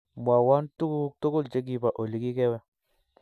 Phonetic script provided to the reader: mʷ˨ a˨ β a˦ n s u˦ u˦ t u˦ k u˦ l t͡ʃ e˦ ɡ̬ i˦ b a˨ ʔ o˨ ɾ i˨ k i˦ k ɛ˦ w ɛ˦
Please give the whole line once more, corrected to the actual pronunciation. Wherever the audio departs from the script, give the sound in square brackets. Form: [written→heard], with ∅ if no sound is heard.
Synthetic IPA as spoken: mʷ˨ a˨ [β→w] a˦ n [s→t] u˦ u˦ t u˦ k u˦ l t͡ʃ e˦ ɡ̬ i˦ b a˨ ʔ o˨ [ɾ→l] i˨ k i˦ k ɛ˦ w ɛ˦